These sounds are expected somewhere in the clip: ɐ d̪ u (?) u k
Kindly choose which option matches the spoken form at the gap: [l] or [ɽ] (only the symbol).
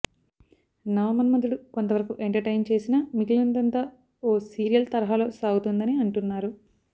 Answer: ɽ